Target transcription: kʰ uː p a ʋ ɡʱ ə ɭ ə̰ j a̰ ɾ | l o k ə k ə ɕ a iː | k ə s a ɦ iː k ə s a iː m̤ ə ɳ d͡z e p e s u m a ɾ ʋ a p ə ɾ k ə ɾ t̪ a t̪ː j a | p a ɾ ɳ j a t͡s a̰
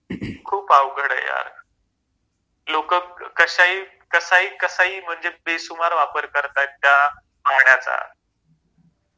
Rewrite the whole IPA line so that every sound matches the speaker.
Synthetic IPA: kʰ uː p a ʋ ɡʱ ə ɽ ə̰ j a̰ ɾ | l o k ə k ə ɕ a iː | k ə s a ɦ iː k ə s a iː m̤ ə ɳ d͡z e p e s u m a ɾ ʋ a p ə ɾ k ə ɾ t̪ a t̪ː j a | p a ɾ ɳ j a t͡s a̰

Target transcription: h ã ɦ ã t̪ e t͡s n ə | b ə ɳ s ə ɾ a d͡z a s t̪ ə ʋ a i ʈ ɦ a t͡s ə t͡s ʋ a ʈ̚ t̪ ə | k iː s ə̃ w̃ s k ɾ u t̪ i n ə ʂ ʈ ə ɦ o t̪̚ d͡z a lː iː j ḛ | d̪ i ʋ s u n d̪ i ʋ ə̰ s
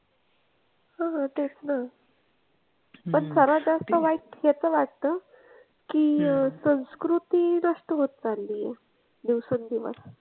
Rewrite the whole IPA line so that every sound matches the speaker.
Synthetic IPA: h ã ɦ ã t̪ e t͡s n a | p ə ɳ s ə ɾ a d͡z a s t̪ ə ʋ a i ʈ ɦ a t͡s ə ʋ a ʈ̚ t̪ ə | k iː s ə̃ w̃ s k ɾ u t̪ i n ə ʂ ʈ ə ɦ o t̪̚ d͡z a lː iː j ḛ | d̪ i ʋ s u n d̪ i ʋ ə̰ s

